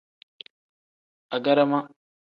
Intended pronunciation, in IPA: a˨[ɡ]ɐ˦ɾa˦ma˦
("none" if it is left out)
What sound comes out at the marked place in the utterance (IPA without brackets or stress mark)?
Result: ɡ